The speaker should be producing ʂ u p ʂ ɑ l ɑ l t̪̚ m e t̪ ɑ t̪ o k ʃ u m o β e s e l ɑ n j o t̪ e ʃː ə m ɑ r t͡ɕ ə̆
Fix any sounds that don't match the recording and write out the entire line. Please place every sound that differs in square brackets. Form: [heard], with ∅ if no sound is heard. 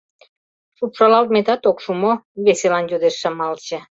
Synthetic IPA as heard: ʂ u p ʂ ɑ l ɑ l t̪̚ m e t̪ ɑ t̪ o k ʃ u m o β e s e l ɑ n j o [d̪] e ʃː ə m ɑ [l] t͡ɕ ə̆